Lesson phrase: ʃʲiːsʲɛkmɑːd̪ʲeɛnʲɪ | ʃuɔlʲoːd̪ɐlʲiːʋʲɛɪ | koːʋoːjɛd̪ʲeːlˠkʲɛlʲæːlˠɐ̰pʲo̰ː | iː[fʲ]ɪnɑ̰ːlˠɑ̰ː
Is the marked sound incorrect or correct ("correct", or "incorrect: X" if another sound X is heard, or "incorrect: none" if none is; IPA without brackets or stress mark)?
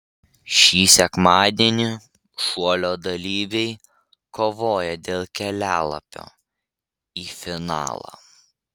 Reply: correct